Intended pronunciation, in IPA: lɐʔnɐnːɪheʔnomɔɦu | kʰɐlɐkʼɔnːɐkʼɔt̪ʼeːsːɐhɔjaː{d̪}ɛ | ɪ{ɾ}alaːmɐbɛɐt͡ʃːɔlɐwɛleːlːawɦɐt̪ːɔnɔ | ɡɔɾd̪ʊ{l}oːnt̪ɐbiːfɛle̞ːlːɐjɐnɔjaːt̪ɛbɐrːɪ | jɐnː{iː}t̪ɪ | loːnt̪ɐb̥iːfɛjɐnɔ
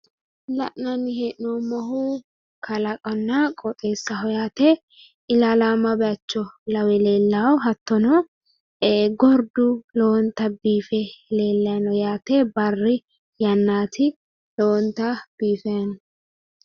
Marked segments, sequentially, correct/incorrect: incorrect: t̪, incorrect: l, correct, incorrect: aː

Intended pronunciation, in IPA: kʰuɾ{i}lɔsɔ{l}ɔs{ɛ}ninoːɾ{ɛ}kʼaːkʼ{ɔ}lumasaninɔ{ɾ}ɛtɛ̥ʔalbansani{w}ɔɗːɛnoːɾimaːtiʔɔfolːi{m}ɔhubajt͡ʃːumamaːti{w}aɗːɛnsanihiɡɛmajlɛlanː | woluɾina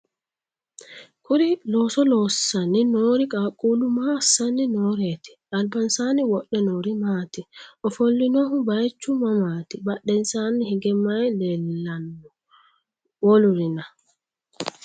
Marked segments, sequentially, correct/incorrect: correct, correct, incorrect: a, incorrect: i, incorrect: u, correct, correct, incorrect: n, incorrect: b

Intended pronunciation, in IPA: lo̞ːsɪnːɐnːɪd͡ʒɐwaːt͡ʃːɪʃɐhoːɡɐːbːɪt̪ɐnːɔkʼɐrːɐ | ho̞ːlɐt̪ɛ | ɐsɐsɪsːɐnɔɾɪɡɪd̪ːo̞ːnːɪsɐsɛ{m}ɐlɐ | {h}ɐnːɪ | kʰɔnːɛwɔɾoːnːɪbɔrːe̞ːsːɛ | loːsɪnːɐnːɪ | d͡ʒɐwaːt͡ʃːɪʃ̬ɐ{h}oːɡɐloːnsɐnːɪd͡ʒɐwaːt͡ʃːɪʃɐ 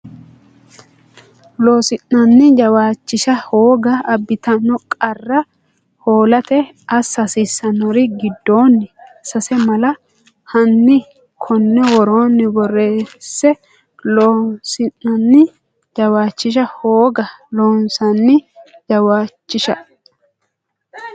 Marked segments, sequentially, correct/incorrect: correct, correct, correct

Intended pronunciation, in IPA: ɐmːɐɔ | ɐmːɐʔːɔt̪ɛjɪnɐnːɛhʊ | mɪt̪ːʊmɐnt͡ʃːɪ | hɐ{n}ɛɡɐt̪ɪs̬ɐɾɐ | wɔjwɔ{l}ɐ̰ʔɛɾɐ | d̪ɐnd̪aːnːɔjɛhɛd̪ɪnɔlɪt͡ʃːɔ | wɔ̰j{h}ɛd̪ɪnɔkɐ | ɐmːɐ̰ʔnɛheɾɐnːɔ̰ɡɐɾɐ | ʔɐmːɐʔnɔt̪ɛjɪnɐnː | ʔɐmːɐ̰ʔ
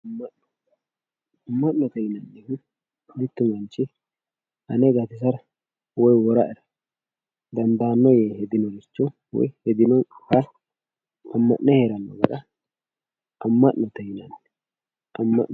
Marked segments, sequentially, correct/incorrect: correct, incorrect: ɾ, correct

